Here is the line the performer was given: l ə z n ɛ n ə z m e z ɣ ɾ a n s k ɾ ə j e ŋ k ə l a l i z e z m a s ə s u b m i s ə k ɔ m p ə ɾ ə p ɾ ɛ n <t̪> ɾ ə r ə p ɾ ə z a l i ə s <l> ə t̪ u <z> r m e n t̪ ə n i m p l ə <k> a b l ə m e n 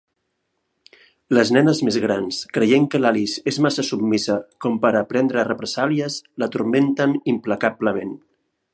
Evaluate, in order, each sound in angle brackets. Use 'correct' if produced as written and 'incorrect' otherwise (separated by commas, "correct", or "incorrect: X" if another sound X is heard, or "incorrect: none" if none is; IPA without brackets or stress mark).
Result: incorrect: d̪, correct, incorrect: none, correct